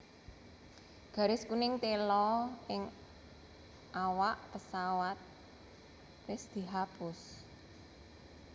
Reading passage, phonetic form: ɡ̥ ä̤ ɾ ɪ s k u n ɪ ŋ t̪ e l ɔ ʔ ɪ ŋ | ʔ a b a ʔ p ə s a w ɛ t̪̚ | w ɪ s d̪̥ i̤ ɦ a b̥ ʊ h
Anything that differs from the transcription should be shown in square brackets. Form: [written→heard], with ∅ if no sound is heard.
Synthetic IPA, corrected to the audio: ɡ̥ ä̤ ɾ ɪ s k u n ɪ ŋ t̪ e l ɔ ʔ ɪ ŋ | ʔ a [b→w] a ʔ p ə s a w [ɛ→a] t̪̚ | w ɪ s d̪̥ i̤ ɦ a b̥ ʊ [h→s]

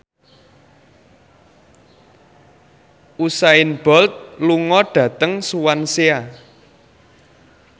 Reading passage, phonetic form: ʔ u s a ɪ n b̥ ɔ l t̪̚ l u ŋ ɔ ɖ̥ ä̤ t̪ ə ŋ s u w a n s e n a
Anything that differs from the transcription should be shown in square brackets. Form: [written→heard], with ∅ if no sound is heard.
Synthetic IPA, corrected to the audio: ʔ u s a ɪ n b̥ ɔ l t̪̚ l u ŋ ɔ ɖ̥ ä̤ t̪ ə ŋ s u w a n s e [n→∅] a

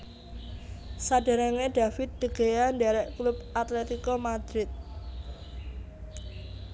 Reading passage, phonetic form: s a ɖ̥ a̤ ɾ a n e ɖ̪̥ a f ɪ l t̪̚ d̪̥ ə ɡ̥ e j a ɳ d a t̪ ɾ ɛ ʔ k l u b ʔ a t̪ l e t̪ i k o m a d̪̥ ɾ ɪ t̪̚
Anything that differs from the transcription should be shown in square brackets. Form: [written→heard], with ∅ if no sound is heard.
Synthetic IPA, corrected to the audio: s a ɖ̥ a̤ ɾ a [n→ŋ] e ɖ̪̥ a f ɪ [l→∅] t̪̚ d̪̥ ə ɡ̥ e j a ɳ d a [t̪→∅] ɾ ɛ ʔ k l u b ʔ a t̪ l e t̪ i k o m a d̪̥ ɾ ɪ t̪̚

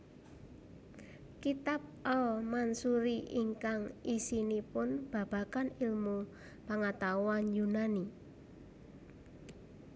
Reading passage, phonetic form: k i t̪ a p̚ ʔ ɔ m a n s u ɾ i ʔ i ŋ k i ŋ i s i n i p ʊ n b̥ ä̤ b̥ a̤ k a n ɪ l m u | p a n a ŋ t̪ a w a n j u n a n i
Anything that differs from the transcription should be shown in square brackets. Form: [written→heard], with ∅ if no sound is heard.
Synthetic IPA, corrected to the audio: k i t̪ a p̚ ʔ ɔ m a n s u ɾ i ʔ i ŋ k [i→a] ŋ i s i n i p ʊ n b̥ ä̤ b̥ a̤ k a n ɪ l m u | p a [n→ŋ] a [ŋ→∅] t̪ a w a n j u n a n i

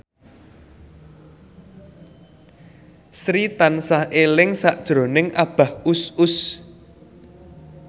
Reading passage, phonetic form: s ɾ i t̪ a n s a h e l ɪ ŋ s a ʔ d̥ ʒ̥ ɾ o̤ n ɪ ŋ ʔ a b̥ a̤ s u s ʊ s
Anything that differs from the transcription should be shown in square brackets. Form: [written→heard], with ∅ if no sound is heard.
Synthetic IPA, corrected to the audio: s ɾ i t̪ a n s a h e l ɪ ŋ s a ʔ d̥ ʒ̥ ɾ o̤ n ɪ ŋ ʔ a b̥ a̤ [s→h] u s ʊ s

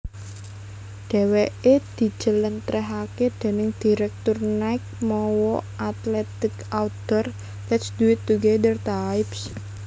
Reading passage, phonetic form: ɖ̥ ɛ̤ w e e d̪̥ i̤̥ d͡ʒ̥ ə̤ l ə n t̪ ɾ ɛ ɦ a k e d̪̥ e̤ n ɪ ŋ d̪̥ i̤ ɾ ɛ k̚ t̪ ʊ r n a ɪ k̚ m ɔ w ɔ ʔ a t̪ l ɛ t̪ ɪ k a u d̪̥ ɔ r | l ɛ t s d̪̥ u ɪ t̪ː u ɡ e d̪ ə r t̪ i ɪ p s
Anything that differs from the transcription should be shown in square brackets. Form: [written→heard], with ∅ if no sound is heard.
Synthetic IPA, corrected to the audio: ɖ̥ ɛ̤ w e e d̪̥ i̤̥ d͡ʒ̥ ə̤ l ə n t̪ ɾ ɛ ɦ a k e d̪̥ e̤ n ɪ ŋ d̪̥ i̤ ɾ ɛ k̚ t̪ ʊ r n a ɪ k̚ m ɔ w ɔ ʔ a t̪ l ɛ t̪ ɪ k a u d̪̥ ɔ r | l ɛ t s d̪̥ u ɪ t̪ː u ɡ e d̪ ə r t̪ [i→a] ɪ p s

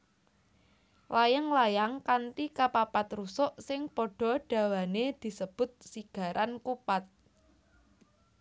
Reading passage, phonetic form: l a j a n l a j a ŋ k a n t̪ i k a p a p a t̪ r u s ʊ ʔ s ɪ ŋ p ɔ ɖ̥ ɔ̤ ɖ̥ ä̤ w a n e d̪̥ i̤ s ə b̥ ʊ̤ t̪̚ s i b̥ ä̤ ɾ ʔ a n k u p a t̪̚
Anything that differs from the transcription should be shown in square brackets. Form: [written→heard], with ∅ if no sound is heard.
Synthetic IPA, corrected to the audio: l a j a [n→ŋ] l a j a ŋ k a n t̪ i k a p a p a t̪ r u s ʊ ʔ s ɪ ŋ p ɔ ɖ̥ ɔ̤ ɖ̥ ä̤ w a n e d̪̥ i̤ s ə b̥ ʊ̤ t̪̚ s i [b̥→ɡ̥] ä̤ ɾ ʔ a n k u p a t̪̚

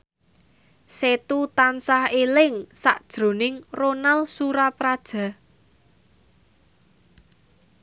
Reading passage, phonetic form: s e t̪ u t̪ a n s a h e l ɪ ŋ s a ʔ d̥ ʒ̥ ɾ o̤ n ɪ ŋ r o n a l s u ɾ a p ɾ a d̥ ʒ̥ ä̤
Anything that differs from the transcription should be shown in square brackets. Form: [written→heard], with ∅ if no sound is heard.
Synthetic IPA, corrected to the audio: s e t̪ u t̪ a n s a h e l ɪ ŋ s a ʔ d̥ ʒ̥ ɾ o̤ n ɪ ŋ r o n a l s u ɾ a p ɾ a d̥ ʒ̥ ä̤

